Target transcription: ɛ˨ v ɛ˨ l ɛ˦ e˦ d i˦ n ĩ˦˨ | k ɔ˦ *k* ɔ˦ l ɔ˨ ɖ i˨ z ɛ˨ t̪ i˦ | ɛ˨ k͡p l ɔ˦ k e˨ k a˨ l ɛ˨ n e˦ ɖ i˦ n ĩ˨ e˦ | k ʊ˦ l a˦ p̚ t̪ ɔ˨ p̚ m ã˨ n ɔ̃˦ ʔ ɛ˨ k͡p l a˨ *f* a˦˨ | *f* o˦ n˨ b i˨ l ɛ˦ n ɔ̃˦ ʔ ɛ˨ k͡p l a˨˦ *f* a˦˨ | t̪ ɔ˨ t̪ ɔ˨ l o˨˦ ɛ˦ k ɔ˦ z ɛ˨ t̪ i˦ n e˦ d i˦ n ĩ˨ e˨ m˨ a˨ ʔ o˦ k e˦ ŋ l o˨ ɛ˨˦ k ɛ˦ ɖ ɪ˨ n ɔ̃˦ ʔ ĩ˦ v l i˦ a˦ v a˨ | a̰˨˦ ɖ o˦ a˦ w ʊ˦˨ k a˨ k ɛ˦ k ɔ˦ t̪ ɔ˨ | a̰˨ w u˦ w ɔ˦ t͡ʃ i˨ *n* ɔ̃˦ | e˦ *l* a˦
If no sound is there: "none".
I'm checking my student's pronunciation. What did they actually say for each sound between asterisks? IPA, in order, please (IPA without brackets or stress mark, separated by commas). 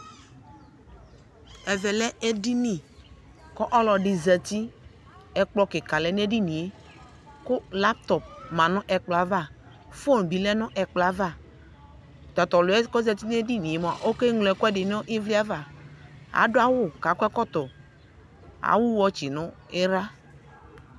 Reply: ʔ, v, f, v, n, ɾ